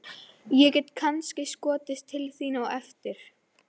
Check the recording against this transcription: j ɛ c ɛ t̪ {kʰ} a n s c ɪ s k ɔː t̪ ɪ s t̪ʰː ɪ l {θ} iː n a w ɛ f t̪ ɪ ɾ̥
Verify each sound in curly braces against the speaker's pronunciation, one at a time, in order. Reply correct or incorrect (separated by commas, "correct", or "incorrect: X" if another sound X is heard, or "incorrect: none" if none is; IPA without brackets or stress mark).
correct, correct